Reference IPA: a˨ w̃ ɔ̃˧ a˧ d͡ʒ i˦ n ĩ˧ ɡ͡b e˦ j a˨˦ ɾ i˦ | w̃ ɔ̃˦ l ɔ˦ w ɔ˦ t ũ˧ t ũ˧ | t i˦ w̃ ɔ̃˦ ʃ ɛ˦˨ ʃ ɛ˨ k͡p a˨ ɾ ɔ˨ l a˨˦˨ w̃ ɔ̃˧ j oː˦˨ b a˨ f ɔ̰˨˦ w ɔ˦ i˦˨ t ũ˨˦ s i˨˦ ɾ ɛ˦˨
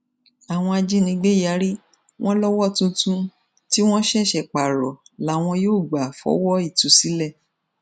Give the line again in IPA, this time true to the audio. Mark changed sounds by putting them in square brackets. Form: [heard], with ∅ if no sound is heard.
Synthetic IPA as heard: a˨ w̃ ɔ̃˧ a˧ d͡ʒ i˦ n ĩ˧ ɡ͡b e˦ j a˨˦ ɾ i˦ | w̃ ɔ̃˦ l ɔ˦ w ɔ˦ t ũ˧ t ũ˧ | t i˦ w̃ ɔ̃˦ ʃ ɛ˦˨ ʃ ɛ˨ k͡p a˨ ɾ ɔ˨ l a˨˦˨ w̃ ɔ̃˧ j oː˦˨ [ɡ͡b] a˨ f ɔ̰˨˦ w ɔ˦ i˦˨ t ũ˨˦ s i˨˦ [l] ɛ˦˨